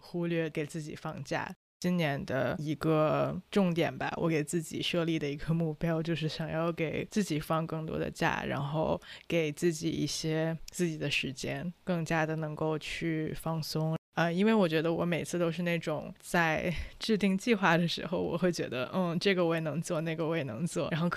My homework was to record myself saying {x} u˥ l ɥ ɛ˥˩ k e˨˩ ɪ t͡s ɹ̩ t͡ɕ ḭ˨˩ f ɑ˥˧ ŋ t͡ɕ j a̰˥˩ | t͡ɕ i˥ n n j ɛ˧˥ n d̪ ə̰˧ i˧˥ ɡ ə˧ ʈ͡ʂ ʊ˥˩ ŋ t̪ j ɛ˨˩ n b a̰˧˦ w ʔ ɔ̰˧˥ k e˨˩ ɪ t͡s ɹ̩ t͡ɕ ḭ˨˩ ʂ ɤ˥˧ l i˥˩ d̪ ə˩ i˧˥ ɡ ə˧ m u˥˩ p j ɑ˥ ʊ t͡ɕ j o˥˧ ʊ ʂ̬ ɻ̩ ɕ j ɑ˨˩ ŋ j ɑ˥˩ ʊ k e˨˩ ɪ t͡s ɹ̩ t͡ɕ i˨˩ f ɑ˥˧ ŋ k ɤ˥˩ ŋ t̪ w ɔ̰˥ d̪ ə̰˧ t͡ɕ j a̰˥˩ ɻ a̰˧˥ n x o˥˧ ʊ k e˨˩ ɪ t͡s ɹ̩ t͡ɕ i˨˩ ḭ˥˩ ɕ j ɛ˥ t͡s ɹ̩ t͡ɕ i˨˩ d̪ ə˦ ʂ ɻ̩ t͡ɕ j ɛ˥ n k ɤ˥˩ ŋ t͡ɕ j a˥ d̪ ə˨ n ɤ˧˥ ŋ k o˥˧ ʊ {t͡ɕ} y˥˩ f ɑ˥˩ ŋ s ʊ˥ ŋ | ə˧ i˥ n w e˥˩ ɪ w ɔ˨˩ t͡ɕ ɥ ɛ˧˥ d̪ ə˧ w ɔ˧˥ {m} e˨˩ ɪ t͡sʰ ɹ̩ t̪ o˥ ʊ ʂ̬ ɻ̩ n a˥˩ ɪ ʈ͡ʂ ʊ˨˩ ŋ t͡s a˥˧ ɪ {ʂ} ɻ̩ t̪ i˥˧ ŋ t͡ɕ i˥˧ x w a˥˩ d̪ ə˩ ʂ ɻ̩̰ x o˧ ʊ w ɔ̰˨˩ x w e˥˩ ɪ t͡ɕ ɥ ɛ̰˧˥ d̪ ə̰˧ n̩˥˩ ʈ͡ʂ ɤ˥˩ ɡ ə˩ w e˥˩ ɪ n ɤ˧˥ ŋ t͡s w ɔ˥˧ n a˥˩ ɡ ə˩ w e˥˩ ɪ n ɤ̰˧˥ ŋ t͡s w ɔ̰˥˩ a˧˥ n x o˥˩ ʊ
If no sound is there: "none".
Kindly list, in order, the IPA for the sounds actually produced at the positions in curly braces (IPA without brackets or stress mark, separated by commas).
x, t͡ɕʰ, m, ʈ͡ʂ